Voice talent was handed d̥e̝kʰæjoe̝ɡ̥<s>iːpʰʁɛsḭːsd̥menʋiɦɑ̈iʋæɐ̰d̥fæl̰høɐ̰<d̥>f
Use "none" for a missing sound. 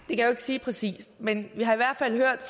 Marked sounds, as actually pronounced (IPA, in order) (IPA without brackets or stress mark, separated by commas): s, d̥